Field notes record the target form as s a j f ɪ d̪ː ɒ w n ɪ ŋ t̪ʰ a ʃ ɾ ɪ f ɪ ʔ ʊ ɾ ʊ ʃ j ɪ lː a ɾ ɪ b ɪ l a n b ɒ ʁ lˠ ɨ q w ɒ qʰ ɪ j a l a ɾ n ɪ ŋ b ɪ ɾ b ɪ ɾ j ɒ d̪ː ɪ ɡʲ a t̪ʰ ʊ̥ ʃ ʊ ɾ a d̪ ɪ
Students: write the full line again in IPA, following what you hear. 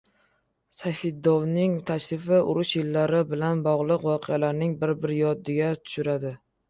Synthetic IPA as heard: s a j f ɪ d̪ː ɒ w n ɪ ŋ t̪ʰ a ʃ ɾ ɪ f ɪ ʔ ʊ ɾ ʊ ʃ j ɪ lː a ɾ ɪ b ɪ l a n b ɒ ʁ lˠ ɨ q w ɒ qʰ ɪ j a l a ɾ n ɪ ŋ b ɪ ɾ b ɪ ɾ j ɒ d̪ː ɪ ɡʲ a t̪ʰ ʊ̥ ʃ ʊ ɾ a d̪ ɪ